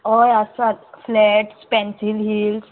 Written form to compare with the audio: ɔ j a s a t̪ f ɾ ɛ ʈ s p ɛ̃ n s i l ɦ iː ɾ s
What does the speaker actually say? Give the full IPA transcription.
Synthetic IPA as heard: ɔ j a s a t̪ f l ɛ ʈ s p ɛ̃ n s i l ɦ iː l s